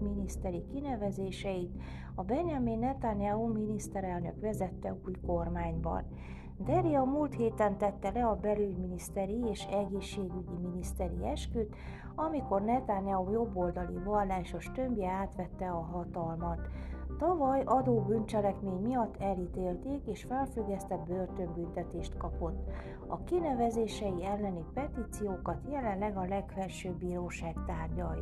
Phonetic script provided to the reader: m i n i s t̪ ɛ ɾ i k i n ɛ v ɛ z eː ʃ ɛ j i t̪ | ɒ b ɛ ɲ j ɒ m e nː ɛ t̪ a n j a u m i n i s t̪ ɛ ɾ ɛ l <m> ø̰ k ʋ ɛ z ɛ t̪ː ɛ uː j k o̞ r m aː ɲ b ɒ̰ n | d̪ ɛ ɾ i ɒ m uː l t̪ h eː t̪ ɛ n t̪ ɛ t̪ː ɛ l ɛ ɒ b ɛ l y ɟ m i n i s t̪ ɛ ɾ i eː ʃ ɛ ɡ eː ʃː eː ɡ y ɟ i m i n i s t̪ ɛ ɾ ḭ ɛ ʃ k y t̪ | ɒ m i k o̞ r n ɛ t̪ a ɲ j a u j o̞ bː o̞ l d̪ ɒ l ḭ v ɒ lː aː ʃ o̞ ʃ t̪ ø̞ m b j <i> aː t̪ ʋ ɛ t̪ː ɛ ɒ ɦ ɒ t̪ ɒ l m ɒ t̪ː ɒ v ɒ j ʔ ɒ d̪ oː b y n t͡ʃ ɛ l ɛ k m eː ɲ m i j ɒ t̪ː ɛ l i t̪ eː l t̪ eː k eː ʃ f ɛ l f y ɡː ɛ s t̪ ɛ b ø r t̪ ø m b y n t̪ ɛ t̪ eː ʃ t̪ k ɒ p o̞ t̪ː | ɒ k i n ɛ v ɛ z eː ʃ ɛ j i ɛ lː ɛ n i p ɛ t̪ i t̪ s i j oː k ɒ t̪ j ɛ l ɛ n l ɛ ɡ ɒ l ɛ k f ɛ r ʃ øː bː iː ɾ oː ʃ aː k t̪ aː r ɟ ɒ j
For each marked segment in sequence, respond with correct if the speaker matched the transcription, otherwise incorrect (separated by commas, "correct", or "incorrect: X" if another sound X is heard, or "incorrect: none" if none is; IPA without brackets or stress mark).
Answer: incorrect: n, incorrect: ɛ